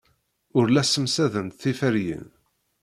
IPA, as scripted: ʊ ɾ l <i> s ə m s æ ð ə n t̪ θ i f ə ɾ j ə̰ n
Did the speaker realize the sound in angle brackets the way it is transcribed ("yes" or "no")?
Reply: no